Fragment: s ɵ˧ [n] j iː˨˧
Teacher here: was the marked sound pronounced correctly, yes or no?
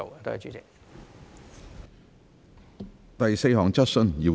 yes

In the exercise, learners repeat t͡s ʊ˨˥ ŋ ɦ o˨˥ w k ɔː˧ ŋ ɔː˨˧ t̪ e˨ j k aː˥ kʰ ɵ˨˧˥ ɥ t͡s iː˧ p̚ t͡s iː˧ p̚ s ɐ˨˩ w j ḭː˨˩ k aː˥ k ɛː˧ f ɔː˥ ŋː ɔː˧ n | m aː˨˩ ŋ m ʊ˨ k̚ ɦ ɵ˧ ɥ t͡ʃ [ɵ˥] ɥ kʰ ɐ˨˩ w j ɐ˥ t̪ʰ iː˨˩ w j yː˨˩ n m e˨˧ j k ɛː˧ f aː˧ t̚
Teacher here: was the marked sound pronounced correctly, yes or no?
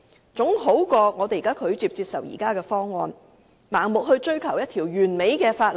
yes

